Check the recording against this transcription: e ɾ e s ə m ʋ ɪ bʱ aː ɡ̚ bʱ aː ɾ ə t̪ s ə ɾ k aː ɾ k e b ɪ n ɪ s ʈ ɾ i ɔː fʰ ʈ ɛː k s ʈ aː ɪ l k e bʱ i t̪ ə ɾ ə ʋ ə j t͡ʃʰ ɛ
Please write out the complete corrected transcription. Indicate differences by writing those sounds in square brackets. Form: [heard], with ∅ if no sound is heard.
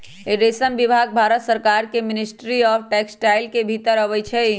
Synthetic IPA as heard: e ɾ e s ə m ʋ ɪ bʱ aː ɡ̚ bʱ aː ɾ ə t̪ s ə ɾ k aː ɾ k e [m] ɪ n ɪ s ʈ ɾ i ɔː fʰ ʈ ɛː k s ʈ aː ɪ l k e bʱ i t̪ ə ɾ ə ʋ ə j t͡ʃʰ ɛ